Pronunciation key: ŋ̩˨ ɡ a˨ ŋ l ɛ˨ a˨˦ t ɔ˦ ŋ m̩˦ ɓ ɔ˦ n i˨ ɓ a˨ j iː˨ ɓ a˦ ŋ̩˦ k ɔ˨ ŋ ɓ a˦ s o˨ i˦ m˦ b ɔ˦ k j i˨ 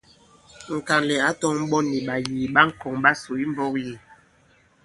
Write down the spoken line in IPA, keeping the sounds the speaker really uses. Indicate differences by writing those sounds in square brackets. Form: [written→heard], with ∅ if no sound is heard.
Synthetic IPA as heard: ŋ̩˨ [ɡ→k] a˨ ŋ l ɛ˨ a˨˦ t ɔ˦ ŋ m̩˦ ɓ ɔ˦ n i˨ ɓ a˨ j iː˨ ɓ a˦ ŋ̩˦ k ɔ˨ ŋ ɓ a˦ s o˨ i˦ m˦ b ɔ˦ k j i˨

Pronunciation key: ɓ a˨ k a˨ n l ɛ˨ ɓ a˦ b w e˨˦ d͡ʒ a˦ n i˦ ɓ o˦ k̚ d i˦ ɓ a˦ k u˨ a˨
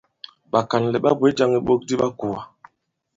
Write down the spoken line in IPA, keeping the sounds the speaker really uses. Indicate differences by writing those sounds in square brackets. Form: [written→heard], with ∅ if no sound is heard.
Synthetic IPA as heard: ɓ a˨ k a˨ n l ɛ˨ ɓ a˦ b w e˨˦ d͡ʒ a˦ [n→ŋ] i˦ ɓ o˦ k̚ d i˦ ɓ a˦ k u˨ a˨

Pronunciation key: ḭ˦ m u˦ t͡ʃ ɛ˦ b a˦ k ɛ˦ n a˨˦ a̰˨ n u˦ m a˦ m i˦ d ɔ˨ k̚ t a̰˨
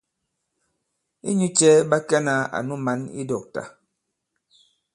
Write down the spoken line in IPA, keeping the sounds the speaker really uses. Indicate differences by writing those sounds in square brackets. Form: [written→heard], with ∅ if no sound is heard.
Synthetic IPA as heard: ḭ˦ [m→ɲ] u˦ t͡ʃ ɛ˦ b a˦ k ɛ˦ n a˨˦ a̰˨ n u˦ m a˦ [m→n] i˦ d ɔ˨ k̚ t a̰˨

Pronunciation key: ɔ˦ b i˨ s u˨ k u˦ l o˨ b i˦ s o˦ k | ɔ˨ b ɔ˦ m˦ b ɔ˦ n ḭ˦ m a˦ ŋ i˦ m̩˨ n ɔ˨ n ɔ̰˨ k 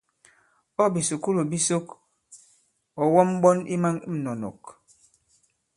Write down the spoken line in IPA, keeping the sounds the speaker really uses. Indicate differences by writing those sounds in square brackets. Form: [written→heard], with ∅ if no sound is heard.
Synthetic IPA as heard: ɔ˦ b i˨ s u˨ k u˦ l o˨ b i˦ s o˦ k | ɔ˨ [b→w] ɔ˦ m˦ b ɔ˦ n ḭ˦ m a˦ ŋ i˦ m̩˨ n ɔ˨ n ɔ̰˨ k

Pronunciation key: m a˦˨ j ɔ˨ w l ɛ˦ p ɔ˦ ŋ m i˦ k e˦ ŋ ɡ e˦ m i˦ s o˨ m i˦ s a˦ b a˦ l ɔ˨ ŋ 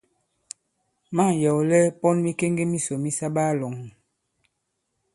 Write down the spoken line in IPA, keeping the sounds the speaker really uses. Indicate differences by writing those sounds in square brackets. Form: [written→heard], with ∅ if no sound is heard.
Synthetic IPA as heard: m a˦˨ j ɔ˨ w l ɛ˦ p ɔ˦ [ŋ→n] m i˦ k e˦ ŋ ɡ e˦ m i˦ s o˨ m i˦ s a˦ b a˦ l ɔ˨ ŋ

